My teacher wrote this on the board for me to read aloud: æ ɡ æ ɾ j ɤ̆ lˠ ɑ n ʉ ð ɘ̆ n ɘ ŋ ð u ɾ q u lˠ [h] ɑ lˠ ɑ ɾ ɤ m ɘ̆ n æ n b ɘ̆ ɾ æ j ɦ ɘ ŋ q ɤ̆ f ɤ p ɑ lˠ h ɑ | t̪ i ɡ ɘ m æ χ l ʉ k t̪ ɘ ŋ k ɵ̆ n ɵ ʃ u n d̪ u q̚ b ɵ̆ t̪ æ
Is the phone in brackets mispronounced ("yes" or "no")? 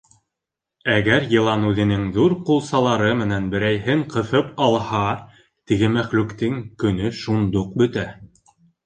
yes